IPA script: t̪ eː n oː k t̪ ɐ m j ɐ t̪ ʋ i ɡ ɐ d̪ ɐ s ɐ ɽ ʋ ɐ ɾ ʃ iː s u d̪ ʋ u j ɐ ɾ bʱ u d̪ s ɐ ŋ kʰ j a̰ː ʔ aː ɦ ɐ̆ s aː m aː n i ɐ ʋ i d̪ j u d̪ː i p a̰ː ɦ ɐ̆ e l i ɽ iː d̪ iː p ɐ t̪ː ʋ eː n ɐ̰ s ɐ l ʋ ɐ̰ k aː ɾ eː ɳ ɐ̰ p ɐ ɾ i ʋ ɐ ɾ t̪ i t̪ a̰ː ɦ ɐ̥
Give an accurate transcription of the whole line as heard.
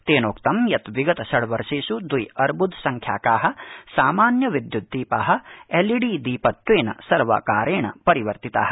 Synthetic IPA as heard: t̪ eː n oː k t̪ ɐ m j ɐ t̪ ʋ i ɡ ɐ t̪ ɐ s ɐ ɽ ʋ ɐ ɾ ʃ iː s u d̪ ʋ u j ɐ ɾ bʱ u d̪ s ɐ ŋ kʰ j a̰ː k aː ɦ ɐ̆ s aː m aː n j ɐ ʋ i d̪ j u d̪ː iː p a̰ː ɦ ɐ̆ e l i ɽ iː d̪ iː p ɐ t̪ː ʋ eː n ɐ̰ s ɐ ɾ ʋ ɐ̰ k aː ɾ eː ɳ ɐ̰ p ɐ ɾ i ʋ ɐ ɾ t̪ i t̪ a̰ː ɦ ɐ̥